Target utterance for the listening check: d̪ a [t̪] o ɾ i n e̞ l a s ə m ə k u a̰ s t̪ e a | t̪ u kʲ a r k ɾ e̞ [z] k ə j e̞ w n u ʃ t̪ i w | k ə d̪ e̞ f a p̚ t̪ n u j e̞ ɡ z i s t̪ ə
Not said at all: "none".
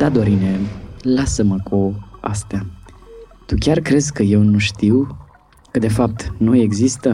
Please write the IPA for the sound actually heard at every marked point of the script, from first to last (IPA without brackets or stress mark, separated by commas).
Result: d̪, z